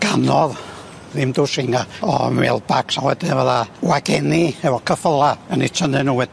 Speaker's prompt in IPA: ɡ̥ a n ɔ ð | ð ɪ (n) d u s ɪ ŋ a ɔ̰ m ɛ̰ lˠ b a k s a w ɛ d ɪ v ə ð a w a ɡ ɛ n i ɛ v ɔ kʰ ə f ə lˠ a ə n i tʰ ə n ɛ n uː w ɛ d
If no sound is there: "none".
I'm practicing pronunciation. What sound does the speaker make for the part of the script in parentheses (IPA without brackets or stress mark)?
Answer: m